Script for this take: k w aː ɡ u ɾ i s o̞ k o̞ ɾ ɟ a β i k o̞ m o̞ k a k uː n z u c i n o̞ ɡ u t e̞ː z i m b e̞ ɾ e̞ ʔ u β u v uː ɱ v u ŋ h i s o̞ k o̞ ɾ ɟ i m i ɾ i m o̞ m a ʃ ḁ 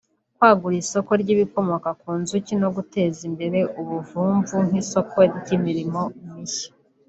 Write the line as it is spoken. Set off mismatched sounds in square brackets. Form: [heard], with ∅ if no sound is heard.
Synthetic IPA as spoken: k w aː ɡ u ɾ i s o̞ k o̞ ɾ ɟ [i] β i k o̞ m o̞ k a k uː n z u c i n o̞ ɡ u t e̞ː z i m b e̞ ɾ e̞ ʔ u β u v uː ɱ v u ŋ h i s o̞ k o̞ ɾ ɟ i m i ɾ i m o̞ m [i] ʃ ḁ